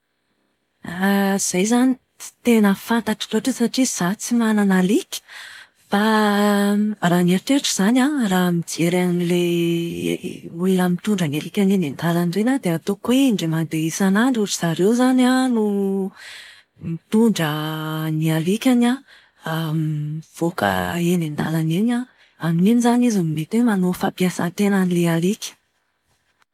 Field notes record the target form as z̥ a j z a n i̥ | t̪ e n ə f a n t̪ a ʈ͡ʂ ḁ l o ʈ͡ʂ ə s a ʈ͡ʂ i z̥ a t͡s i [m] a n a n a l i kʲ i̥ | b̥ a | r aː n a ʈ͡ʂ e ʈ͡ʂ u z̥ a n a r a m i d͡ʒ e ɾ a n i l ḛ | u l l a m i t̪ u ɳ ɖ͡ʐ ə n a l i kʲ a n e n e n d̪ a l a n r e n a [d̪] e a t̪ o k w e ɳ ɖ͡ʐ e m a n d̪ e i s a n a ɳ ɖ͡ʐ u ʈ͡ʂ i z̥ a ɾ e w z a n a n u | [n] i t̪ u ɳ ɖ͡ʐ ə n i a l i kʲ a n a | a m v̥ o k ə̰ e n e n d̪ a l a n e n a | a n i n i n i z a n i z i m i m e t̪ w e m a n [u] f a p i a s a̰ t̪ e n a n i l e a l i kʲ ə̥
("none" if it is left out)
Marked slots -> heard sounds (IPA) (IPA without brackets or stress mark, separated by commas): m, d̪, m, o